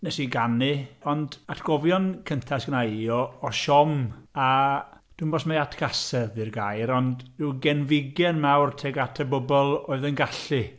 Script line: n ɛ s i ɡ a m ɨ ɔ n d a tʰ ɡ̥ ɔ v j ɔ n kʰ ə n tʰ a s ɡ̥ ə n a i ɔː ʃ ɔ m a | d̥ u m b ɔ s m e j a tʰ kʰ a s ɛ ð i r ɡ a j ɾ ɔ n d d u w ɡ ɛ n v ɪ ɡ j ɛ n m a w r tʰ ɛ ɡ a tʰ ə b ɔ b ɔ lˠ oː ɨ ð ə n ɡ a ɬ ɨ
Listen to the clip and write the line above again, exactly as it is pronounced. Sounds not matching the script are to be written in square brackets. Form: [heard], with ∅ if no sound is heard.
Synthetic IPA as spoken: n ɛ s i ɡ a [n] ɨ ɔ n d a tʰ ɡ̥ ɔ v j ɔ n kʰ ə n tʰ a s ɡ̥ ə n a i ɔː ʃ ɔ m a | d̥ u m b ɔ s m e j a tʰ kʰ a s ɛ ð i r ɡ a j ɾ ɔ n d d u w ɡ ɛ n v ɪ ɡ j ɛ n m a w r tʰ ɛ ɡ a tʰ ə b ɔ b ɔ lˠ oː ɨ ð ə n ɡ a ɬ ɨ